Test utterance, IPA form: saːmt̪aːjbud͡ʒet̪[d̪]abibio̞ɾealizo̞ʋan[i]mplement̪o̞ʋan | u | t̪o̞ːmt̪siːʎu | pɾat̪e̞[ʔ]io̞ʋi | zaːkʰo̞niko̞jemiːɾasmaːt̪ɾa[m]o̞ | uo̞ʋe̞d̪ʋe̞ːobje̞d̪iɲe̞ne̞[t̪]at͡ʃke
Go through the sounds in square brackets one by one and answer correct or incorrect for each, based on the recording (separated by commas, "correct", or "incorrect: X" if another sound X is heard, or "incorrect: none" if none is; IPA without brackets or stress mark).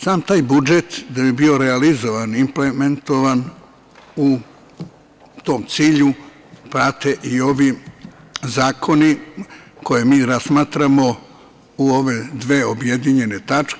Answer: correct, correct, correct, correct, correct